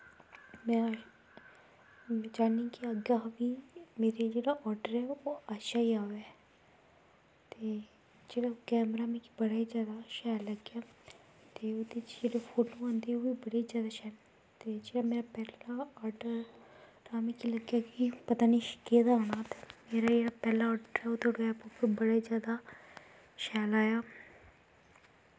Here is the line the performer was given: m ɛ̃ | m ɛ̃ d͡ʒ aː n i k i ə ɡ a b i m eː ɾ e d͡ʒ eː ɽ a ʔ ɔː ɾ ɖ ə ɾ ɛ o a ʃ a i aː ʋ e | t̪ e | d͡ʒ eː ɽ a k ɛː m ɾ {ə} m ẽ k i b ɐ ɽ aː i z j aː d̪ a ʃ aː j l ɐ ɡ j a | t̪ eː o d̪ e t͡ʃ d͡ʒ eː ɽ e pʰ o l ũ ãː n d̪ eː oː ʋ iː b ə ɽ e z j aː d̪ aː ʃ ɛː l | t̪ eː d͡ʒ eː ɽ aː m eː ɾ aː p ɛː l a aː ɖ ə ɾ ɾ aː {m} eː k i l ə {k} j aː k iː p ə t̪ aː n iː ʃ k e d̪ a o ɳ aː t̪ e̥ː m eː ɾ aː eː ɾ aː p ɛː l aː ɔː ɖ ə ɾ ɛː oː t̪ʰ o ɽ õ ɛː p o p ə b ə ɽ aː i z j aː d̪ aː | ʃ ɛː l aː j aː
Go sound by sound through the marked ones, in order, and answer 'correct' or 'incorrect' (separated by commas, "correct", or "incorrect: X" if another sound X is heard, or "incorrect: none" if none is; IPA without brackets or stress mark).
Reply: incorrect: a, correct, incorrect: ɡ